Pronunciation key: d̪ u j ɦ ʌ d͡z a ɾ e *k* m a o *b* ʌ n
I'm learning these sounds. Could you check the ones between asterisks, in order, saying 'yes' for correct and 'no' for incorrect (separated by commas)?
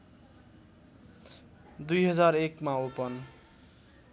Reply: yes, no